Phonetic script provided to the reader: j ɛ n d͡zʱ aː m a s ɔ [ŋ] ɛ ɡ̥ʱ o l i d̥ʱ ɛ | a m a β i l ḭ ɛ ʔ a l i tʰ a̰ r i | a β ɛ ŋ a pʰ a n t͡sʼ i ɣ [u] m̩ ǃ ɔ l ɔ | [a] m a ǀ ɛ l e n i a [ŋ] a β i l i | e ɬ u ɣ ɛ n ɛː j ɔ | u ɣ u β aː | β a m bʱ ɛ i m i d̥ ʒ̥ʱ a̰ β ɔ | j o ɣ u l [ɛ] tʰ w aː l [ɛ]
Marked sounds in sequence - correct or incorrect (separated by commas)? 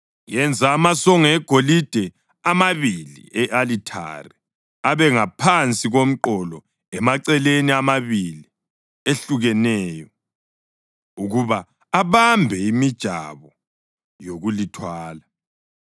correct, incorrect, incorrect, incorrect, incorrect, incorrect